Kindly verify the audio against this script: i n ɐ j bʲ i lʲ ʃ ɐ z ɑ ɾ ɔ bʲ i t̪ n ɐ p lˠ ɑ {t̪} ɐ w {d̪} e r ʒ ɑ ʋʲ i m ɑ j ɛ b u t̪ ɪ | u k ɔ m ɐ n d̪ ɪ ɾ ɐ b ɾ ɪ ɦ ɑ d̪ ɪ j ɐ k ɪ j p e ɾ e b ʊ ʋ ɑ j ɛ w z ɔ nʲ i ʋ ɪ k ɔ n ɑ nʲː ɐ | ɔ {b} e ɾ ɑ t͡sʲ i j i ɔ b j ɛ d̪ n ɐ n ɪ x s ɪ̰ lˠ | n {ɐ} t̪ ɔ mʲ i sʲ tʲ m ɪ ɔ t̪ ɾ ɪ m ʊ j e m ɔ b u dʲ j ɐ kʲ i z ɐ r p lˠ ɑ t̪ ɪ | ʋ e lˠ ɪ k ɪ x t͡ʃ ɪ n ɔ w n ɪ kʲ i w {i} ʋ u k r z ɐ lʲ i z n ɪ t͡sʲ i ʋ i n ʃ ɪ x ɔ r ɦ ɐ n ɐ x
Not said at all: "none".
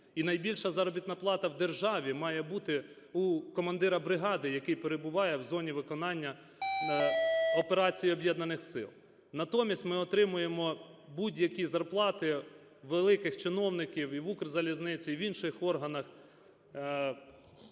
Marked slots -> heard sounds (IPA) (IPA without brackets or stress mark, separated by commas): t̪, d̪, p, ɐ, i